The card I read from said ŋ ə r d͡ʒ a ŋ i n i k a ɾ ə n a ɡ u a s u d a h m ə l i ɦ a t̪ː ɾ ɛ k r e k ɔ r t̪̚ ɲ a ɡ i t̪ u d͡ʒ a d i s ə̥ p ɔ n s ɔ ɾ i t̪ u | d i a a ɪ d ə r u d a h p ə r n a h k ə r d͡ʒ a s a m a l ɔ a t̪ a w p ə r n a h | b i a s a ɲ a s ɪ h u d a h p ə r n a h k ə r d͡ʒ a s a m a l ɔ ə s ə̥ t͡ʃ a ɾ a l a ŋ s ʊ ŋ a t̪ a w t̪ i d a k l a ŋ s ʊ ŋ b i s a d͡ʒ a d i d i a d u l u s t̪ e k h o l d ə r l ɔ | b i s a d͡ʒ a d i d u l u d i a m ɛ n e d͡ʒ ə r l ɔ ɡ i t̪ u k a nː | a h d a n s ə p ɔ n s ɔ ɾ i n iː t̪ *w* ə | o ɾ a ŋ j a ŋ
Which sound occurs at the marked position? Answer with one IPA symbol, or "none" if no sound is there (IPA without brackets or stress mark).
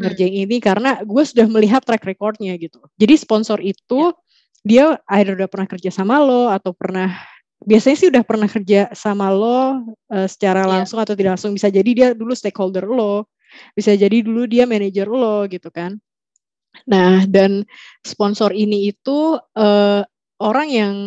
u